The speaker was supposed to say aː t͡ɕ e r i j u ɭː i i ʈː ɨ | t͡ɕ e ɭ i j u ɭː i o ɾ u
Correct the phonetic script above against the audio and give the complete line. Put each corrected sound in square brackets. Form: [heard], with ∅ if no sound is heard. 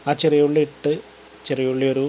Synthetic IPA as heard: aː t͡ɕ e r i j u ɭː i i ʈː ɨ | t͡ɕ e [r] i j u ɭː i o ɾ u